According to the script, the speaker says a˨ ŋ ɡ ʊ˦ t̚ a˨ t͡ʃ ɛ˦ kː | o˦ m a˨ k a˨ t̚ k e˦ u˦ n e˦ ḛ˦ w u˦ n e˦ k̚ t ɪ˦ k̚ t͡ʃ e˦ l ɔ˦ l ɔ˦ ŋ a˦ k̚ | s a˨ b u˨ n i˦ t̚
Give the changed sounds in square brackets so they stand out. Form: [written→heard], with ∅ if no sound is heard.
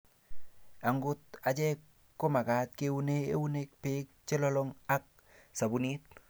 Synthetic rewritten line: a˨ ŋ ɡ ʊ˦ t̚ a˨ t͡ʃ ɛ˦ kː | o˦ m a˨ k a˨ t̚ k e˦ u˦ n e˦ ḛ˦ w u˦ n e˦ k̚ [t→p] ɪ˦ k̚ t͡ʃ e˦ l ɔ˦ l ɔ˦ ŋ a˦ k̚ | s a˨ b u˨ n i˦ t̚